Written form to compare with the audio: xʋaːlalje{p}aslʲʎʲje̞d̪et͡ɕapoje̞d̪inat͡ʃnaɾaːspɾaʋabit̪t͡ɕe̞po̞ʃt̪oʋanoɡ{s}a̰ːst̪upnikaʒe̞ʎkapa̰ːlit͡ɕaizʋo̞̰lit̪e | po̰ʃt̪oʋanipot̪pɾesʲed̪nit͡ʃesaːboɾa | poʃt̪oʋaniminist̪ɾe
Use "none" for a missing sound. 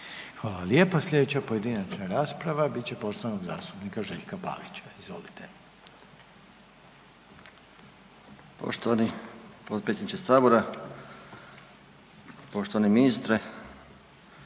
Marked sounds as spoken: p, z

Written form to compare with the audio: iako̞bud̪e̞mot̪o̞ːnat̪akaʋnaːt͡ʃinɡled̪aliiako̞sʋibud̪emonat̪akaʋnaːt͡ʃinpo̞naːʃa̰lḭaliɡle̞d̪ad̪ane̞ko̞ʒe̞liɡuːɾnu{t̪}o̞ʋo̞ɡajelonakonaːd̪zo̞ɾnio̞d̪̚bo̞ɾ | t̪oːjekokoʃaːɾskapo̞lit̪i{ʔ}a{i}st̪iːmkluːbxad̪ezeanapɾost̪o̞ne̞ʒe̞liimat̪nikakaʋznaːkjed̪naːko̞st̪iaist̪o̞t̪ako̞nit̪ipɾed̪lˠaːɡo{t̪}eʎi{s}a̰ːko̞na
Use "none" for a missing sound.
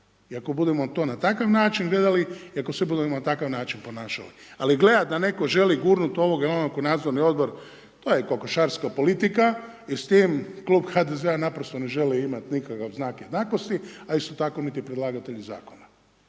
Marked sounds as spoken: t̪, k, i, t̪, z

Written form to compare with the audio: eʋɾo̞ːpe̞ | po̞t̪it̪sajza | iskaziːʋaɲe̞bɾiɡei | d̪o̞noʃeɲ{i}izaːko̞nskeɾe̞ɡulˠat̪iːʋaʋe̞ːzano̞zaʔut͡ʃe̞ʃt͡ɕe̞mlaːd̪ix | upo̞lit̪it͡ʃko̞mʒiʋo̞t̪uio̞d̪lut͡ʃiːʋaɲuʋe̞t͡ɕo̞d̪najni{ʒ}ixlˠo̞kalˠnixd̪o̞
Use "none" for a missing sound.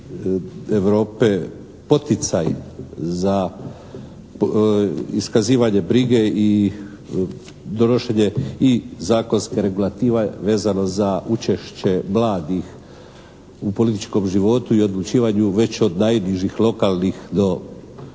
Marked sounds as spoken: e, ʒ

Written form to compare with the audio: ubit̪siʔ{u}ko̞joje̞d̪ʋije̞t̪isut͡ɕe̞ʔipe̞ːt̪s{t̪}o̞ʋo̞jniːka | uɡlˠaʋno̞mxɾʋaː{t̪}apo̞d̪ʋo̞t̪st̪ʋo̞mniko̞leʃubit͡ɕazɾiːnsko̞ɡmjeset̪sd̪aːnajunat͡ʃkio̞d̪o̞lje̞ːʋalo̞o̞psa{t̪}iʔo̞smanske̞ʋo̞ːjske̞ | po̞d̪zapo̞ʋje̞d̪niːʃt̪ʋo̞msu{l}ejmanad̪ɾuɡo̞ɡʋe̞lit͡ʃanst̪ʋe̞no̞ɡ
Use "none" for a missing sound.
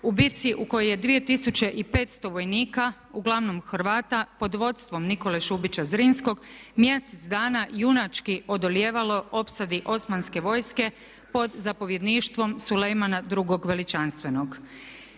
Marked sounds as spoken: u, t̪, t̪, d̪, l

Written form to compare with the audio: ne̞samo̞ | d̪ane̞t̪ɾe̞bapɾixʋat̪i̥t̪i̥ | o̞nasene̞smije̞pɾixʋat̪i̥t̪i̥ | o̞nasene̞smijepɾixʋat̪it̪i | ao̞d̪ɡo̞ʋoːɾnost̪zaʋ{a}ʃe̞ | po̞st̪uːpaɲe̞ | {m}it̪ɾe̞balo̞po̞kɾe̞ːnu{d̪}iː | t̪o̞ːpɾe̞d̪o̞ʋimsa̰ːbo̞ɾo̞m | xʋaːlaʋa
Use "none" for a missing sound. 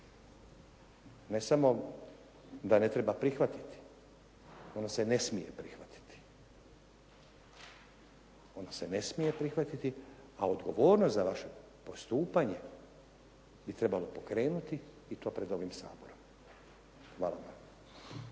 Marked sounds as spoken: a, b, t̪

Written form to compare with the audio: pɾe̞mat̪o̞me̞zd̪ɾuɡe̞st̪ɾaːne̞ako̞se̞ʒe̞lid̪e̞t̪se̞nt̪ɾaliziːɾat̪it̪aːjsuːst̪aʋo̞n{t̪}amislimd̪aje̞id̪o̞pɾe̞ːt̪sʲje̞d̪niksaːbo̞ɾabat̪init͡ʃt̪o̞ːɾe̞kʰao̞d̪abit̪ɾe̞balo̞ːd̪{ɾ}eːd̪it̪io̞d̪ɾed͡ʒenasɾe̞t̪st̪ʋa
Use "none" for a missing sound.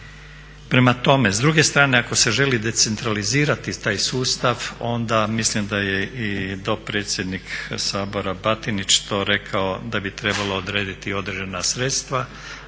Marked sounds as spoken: d̪, ɾ

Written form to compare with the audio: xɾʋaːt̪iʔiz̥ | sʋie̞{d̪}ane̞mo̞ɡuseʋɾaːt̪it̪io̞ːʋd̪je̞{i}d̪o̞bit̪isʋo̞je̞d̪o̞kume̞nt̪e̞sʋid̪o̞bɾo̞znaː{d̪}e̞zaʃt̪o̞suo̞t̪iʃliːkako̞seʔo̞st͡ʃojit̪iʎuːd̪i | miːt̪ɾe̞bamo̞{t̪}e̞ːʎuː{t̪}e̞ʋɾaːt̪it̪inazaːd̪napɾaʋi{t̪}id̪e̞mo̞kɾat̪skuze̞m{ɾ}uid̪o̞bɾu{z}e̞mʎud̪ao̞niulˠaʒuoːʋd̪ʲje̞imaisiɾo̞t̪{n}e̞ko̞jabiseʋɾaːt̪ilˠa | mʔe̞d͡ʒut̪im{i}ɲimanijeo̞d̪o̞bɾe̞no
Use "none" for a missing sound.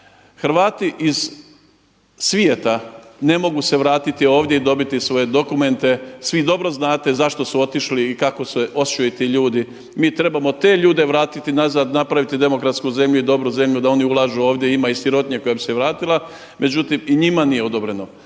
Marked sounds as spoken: t̪, i, t̪, t̪, d̪, t̪, ʎ, z, ɲ, i

